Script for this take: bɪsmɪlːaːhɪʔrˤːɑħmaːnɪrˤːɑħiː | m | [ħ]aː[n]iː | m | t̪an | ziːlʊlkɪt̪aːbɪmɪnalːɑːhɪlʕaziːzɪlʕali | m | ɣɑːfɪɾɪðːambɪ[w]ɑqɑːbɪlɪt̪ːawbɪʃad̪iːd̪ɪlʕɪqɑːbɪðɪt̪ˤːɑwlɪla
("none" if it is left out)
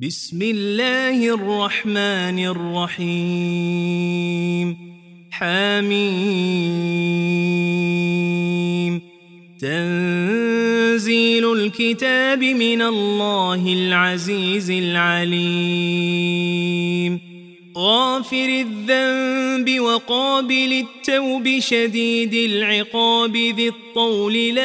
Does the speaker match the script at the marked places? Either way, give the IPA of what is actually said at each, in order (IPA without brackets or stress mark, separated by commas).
ħ, m, w